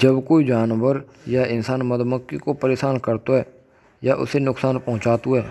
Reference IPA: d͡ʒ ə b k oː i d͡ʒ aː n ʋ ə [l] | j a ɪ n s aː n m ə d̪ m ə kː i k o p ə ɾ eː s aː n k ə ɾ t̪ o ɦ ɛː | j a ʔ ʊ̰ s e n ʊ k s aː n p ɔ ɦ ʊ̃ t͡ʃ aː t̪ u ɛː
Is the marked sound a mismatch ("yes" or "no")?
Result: yes